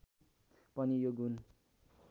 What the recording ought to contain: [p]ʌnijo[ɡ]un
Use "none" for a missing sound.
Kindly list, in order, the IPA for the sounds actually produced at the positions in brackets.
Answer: p, ɡ

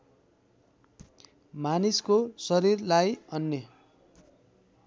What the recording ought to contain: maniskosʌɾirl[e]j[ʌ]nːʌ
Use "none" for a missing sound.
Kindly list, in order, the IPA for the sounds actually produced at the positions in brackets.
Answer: a, ʌ

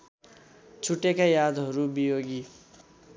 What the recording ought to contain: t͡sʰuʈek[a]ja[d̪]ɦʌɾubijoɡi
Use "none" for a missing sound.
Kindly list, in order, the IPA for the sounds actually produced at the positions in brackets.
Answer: a, d̪

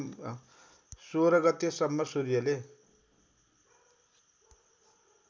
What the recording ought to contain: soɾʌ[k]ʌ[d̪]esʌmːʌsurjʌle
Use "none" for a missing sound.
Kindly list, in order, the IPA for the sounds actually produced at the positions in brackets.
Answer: ɡ, t̪

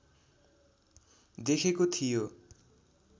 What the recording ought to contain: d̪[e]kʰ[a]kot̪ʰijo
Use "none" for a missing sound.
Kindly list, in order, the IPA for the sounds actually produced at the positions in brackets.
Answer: e, e

